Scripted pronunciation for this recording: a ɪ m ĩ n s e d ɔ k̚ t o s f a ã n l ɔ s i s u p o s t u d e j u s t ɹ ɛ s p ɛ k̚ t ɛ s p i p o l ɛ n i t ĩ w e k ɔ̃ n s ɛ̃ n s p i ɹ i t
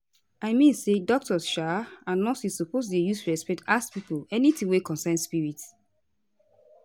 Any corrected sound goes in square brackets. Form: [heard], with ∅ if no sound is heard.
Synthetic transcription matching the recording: a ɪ m ĩ n s e d ɔ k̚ t [ɔ] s [ʃ] a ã n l ɔ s i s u p o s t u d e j u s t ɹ ɛ s p ɛ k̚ t [a] s p i p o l ɛ n i t ĩ w e k ɔ̃ n s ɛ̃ n s p i ɹ i t